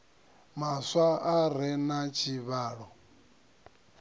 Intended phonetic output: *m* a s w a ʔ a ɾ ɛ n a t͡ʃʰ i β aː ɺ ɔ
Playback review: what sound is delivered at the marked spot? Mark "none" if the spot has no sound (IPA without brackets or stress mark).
m